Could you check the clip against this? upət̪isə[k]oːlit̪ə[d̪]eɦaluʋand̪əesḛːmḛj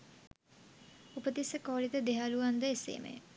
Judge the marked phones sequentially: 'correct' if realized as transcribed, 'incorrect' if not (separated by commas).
correct, correct